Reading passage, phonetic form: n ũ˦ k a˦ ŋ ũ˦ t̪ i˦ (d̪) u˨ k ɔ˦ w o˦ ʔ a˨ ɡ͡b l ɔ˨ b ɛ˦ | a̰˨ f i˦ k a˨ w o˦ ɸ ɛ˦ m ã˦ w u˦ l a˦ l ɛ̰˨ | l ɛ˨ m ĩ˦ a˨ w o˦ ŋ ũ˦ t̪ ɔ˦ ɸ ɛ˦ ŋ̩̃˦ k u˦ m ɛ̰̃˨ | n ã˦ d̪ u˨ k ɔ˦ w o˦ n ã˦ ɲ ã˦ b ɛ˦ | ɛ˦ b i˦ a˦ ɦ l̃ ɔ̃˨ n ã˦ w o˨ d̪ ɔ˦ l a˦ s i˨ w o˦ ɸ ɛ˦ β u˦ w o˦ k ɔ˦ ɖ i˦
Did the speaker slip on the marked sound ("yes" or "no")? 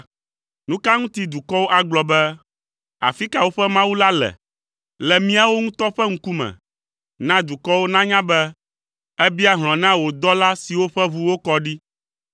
no